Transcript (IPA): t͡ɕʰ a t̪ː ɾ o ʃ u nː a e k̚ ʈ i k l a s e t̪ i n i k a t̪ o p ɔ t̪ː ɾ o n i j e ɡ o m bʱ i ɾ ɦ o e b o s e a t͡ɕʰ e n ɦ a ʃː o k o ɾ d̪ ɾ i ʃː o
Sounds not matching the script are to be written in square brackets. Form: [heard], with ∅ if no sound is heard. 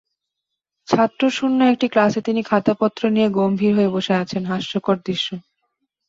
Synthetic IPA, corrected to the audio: t͡ɕʰ a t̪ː ɾ o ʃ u nː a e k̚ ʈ i k l a s e t̪ i n i [kʰ] a t̪ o p ɔ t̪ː ɾ o n i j e ɡ o m bʱ i ɾ ɦ o e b o [ʃ] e a t͡ɕʰ e n ɦ a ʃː o k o ɾ d̪ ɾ i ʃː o